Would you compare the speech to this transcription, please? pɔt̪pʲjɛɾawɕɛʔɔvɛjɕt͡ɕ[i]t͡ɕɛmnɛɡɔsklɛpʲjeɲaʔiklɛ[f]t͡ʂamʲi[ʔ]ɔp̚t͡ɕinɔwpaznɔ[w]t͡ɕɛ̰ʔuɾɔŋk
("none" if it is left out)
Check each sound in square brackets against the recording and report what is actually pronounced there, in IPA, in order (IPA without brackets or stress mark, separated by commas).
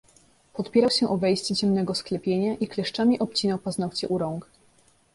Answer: ɛ, ʂ, ʔ, w